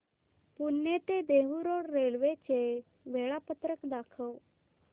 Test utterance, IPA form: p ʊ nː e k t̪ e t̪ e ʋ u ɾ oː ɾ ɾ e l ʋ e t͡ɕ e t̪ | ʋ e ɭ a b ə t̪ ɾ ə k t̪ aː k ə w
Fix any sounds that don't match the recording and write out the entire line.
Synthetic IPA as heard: p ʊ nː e t̪ e d̪ e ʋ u ɾ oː ɽ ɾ e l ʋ e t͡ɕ e | ʋ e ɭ a p ə t̪ ɾ ə k d̪ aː kʰ ə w